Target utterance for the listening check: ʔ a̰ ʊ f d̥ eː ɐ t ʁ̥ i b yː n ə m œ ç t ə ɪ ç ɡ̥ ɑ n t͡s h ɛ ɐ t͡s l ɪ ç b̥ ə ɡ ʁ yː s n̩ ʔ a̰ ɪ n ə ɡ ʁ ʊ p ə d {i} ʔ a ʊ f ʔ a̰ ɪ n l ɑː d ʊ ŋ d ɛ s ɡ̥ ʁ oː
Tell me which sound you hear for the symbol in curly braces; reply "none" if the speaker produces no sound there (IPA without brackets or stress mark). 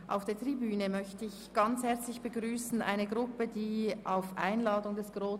iː